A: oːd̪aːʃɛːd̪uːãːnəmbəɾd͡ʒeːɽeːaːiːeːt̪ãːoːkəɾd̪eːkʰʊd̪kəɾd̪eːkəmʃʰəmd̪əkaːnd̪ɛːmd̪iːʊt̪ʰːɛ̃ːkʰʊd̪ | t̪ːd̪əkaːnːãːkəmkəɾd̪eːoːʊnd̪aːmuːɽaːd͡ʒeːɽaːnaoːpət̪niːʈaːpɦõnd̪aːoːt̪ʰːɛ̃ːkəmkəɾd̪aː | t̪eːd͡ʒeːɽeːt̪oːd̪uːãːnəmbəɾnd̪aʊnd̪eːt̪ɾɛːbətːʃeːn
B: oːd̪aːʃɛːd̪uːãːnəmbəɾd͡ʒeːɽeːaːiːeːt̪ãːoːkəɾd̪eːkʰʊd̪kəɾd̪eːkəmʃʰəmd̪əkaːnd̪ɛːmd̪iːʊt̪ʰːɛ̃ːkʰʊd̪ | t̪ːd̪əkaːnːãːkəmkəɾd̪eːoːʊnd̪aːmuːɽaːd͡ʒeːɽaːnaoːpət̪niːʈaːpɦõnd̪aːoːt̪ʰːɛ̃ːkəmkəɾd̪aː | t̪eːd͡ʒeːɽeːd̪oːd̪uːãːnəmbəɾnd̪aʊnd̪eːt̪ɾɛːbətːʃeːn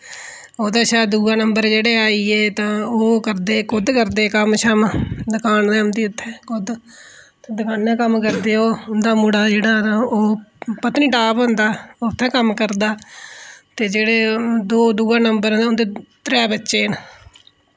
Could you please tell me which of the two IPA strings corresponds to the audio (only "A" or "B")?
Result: B